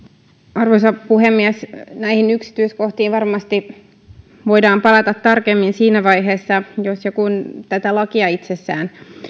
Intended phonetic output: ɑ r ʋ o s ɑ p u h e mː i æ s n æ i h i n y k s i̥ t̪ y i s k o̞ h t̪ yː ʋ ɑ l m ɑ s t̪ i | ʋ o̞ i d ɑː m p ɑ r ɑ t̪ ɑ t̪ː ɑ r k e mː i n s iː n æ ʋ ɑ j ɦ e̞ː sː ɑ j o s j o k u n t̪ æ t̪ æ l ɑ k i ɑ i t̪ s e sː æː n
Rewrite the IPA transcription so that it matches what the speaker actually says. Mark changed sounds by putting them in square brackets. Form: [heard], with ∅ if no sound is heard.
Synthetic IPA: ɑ r ʋ o s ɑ p u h e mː i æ s n æ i h i n y k s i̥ t̪ y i s k o̞ h t̪ [iː] ʋ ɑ [r] m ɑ s t̪ i | ʋ o̞ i d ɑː m p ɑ [l] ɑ t̪ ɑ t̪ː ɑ r k e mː i n s iː n æ ʋ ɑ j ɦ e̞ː sː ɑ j o s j o k u n t̪ æ t̪ æ l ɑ k i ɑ i t̪ s e sː æː n